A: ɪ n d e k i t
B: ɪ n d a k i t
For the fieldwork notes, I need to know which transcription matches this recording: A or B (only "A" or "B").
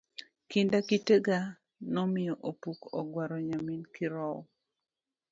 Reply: B